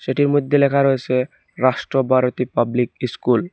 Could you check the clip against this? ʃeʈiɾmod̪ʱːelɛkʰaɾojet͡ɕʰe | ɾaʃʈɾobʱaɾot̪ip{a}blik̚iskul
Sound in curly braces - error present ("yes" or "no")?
no